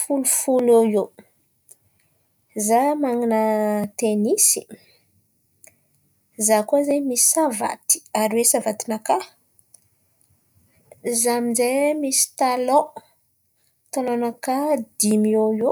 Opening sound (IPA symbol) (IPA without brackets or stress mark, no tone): f